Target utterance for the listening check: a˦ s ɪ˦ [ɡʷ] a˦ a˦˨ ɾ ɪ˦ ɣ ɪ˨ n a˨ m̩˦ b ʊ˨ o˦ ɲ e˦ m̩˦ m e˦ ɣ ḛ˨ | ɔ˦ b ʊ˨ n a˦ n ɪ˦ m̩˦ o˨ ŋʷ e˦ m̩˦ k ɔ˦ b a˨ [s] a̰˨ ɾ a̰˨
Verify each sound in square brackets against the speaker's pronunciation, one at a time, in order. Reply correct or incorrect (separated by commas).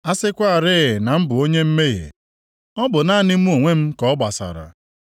incorrect, correct